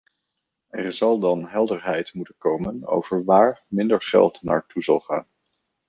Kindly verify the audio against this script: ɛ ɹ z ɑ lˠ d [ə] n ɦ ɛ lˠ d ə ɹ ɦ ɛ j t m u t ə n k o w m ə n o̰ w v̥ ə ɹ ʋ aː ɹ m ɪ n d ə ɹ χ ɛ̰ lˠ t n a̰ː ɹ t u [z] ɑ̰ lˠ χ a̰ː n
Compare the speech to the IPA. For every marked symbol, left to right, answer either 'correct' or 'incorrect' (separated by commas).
incorrect, correct